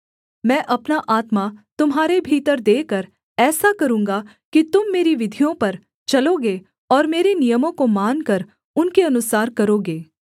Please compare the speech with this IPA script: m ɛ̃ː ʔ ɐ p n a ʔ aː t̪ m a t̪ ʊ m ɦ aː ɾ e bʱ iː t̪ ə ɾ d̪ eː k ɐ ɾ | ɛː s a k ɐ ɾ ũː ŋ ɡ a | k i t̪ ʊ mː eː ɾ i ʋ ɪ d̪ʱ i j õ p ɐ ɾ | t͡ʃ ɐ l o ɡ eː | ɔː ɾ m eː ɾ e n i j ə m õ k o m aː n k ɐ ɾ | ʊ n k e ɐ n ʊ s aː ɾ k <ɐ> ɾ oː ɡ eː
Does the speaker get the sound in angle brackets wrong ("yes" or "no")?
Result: no